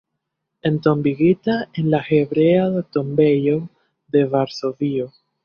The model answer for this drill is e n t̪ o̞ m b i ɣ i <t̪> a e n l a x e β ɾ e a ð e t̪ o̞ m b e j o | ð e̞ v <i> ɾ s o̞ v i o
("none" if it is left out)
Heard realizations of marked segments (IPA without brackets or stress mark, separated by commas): t̪, a